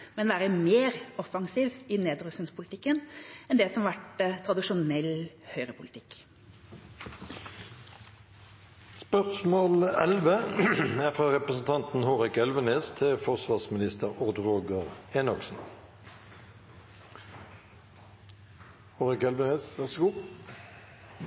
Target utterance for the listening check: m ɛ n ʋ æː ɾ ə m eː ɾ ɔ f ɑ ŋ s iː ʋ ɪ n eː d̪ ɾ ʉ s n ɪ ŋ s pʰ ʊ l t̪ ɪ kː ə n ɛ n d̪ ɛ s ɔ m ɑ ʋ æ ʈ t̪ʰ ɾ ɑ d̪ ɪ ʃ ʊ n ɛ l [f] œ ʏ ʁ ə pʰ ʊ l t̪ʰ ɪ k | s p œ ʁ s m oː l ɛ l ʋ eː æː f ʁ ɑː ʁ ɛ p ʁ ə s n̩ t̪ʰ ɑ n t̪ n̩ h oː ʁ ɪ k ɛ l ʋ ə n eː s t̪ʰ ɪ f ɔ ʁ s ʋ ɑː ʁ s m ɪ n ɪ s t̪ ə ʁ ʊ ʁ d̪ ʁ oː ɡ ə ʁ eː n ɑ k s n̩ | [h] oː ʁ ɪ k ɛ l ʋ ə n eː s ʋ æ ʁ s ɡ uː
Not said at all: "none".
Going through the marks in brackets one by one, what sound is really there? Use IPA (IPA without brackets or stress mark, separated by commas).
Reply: h, h